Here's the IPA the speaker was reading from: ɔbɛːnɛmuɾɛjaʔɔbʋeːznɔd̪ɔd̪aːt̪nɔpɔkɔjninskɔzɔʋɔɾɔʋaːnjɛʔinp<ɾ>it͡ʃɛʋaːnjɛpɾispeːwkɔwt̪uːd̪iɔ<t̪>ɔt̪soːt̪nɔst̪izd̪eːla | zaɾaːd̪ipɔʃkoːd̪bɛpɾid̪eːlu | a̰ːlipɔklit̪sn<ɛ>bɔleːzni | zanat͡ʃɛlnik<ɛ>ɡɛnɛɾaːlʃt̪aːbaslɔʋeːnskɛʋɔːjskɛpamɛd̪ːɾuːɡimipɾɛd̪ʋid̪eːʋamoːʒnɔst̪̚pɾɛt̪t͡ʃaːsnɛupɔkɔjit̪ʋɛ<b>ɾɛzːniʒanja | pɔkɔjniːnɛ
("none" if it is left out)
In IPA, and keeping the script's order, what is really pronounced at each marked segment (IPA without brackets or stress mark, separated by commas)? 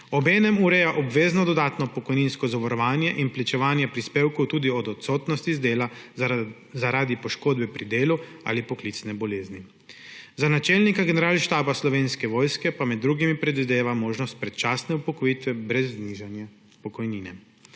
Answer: l, d̪, ɛ, a, b